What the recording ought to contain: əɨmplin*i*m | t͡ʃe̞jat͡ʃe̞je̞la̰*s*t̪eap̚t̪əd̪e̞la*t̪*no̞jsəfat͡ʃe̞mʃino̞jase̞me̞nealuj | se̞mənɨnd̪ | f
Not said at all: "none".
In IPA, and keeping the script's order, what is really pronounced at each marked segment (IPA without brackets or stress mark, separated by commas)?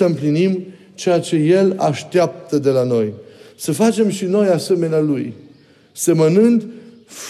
i, ʃ, none